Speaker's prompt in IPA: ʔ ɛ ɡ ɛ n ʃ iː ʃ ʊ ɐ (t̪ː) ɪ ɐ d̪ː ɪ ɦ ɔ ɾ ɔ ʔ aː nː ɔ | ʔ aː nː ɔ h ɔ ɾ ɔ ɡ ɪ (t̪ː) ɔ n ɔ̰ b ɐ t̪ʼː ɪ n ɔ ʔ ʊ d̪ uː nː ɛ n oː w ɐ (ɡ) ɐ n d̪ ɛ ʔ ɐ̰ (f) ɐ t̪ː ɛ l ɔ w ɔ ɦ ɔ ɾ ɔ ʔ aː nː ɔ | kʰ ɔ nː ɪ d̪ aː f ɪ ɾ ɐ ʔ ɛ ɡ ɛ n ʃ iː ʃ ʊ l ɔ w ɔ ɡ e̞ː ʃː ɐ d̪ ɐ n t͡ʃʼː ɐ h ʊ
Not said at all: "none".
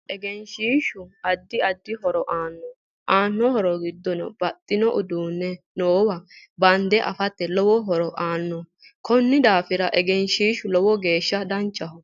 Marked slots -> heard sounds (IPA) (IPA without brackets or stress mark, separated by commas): d̪ː, d̪ː, b, f